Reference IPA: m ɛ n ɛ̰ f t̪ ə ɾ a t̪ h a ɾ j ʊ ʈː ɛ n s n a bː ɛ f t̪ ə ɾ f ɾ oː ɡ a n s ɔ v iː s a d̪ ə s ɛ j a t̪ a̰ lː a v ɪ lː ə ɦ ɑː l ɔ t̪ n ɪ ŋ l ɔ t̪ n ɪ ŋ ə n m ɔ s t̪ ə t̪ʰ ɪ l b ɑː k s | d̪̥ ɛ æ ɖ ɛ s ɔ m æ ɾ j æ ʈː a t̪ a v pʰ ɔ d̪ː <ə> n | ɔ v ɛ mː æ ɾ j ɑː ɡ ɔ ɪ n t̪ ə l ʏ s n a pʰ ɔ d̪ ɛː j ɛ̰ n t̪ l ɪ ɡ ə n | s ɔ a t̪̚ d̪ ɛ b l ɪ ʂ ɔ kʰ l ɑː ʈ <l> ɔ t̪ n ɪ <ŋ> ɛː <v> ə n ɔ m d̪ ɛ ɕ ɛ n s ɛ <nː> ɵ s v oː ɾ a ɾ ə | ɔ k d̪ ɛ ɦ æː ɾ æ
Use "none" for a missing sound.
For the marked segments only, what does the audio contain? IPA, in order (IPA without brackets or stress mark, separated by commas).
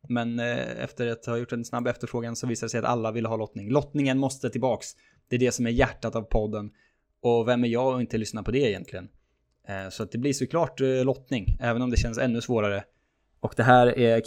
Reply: ə, l, ŋ, v, nː